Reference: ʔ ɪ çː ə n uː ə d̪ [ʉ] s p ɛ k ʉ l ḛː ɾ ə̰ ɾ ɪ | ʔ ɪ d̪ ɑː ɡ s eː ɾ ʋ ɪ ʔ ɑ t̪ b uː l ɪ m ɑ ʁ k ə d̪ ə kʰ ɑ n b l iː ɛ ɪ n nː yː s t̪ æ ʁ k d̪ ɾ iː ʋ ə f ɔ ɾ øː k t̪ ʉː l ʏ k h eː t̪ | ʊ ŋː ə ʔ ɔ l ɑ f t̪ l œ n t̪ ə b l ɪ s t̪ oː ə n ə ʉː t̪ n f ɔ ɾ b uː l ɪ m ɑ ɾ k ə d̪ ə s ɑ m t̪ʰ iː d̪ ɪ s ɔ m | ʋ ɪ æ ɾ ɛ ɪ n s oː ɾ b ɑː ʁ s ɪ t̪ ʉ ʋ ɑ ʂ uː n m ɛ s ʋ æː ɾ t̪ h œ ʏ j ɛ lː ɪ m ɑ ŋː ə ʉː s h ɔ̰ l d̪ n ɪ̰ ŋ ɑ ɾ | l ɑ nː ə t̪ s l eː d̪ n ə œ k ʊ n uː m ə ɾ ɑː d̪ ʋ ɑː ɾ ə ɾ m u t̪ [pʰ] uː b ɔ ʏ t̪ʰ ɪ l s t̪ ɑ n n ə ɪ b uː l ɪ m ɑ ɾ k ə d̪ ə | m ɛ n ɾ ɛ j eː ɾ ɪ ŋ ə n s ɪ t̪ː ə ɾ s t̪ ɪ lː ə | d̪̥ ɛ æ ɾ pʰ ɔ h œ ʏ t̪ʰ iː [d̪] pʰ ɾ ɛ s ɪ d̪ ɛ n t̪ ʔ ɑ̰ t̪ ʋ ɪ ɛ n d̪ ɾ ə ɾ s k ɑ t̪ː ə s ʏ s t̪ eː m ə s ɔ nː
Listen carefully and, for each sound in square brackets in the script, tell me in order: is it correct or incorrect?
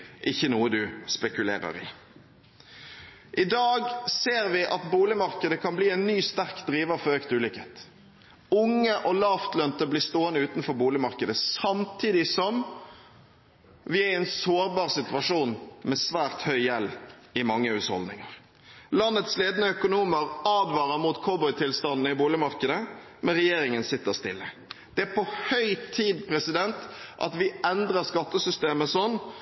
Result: correct, incorrect, correct

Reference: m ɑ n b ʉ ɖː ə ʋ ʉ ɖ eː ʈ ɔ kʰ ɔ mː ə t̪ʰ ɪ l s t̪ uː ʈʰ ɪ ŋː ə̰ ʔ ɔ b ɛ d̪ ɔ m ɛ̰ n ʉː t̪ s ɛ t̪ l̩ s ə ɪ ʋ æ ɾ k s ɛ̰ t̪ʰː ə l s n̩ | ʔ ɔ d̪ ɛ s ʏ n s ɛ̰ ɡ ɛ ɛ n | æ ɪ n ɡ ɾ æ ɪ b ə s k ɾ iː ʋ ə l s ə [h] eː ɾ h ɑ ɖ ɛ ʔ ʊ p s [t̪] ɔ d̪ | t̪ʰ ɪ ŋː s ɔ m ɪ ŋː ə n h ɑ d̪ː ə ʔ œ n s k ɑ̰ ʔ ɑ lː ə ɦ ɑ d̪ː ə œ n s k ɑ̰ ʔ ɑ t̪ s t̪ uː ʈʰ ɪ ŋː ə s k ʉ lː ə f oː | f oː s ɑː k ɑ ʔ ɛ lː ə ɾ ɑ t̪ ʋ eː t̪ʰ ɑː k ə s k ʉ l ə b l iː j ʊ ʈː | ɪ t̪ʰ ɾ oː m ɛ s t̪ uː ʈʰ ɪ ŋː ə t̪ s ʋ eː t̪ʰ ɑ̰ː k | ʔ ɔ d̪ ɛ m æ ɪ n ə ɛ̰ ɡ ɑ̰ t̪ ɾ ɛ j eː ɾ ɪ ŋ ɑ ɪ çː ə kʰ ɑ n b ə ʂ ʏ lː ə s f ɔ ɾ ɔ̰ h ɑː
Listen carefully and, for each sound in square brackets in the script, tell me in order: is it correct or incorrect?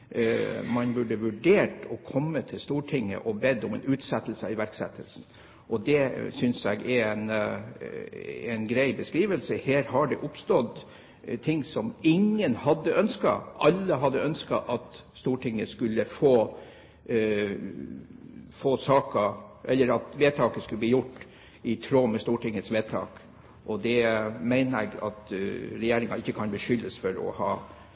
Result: correct, correct

